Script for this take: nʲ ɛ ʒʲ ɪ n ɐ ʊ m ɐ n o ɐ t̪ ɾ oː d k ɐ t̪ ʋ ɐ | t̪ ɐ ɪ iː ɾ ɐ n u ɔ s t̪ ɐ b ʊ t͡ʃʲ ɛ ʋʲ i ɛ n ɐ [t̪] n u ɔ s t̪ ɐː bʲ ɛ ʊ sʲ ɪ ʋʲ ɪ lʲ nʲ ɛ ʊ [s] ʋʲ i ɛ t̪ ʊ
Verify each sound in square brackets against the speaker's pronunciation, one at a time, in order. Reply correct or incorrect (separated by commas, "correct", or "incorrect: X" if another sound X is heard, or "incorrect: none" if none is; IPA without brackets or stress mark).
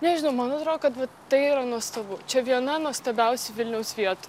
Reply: incorrect: none, correct